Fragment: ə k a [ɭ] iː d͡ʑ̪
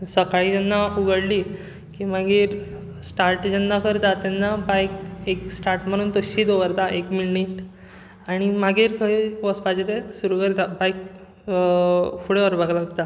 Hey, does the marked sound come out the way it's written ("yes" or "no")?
yes